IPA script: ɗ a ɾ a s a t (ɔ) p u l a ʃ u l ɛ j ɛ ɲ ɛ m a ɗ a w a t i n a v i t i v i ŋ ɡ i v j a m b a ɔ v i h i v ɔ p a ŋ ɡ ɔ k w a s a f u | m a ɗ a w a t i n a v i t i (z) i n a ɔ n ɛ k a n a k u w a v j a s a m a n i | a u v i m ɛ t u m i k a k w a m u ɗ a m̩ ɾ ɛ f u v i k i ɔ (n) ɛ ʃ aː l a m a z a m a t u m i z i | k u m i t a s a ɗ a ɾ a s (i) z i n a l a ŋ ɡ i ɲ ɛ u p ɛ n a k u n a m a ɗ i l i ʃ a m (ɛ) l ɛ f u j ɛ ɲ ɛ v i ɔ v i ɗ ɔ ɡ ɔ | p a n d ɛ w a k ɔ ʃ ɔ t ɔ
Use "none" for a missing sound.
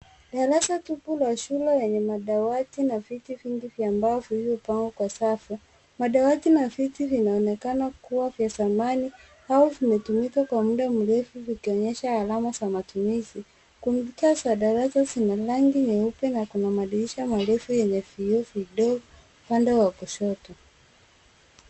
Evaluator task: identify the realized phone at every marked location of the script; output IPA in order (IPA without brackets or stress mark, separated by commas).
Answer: u, v, ɲ, a, a